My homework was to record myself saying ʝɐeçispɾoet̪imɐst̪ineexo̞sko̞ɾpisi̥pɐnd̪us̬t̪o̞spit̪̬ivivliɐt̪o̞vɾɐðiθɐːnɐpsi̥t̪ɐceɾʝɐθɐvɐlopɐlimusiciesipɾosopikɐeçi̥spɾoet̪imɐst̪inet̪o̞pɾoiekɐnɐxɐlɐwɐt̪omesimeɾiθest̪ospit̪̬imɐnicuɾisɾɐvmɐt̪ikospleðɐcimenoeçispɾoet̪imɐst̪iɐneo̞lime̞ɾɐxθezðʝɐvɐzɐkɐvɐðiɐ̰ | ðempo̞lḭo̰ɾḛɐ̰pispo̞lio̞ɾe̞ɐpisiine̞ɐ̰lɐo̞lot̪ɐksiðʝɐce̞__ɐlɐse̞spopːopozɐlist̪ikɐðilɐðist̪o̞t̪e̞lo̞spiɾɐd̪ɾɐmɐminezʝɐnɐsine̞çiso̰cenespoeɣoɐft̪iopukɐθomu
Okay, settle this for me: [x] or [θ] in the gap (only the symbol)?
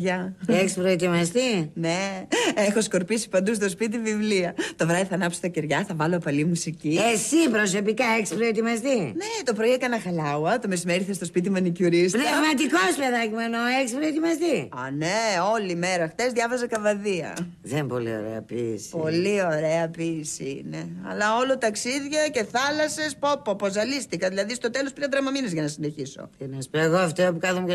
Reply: θ